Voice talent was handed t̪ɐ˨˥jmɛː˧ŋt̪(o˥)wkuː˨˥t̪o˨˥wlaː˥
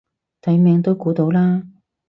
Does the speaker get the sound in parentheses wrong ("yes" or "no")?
no